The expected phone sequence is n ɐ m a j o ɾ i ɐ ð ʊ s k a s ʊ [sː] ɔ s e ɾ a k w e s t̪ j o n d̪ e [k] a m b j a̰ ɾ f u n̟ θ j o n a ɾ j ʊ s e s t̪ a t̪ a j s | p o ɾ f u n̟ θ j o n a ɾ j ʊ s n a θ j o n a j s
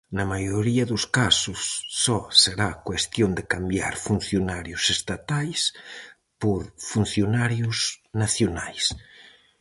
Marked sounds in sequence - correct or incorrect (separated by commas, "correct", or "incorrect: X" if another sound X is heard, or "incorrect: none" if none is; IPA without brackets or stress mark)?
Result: correct, correct